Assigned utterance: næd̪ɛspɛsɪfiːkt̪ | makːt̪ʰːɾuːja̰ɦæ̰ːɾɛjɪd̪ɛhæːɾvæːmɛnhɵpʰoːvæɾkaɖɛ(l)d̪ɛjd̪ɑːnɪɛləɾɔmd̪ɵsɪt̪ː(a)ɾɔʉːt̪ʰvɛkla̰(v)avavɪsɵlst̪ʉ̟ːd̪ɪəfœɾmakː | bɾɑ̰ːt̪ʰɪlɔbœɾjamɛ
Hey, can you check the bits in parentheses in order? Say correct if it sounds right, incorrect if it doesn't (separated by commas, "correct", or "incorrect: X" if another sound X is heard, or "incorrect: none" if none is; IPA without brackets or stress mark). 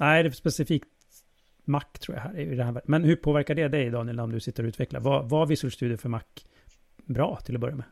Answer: incorrect: none, incorrect: ə, correct